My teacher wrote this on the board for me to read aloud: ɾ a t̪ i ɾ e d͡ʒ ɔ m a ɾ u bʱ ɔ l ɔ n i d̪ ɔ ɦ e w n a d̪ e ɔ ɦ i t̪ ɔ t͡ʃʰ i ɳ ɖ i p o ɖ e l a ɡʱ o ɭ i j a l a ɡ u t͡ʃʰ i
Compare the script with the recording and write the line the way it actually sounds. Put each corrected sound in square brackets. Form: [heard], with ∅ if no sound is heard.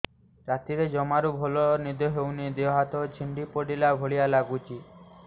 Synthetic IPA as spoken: ɾ a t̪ i ɾ e d͡ʒ ɔ m a ɾ u bʱ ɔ l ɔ n i d̪ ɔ ɦ e w n [i] d̪ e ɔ ɦ [a] t̪ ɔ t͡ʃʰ i ɳ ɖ i p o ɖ [i] l a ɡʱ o ɭ i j a l a ɡ u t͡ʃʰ i